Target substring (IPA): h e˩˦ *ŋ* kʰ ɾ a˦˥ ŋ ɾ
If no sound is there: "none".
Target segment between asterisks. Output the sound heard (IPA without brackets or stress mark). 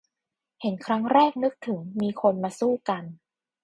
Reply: n